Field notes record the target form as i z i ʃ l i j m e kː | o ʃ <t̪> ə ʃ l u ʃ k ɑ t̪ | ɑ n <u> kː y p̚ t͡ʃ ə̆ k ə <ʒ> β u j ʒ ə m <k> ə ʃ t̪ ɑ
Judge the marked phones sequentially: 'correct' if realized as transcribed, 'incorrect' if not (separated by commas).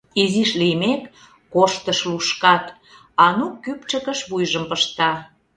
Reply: correct, correct, incorrect, incorrect